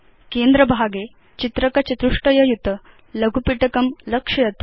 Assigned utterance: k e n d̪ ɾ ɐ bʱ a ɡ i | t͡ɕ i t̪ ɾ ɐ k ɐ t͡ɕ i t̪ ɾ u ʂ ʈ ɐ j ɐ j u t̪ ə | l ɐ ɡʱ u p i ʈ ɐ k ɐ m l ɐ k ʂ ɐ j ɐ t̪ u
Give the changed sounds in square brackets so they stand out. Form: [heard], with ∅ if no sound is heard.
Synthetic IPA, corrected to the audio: k e n d̪ ɾ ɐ bʱ a ɡ [e] | t͡ɕ i t̪ ɾ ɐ k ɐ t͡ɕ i t̪ ɾ u ʂ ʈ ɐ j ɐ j u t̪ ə | l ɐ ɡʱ u p i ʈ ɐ k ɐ m l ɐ k ʂ ɐ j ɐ t̪ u